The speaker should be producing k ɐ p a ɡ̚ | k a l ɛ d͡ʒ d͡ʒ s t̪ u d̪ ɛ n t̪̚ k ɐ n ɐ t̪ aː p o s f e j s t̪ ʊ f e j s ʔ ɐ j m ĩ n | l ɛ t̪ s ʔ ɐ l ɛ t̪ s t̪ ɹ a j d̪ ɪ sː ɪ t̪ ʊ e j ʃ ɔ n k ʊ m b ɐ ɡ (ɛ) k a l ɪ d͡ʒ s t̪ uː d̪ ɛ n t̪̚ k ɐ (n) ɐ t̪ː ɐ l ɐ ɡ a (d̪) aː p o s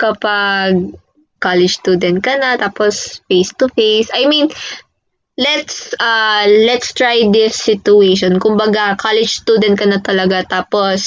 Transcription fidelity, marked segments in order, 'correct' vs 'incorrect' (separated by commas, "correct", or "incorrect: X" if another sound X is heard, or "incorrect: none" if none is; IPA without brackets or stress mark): incorrect: a, correct, incorrect: t̪